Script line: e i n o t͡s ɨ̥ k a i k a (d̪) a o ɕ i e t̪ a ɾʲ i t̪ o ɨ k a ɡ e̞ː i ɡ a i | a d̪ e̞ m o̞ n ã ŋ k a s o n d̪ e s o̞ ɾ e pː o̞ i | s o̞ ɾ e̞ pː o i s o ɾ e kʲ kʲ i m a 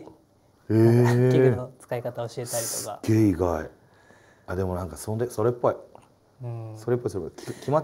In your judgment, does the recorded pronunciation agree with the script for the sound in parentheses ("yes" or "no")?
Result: no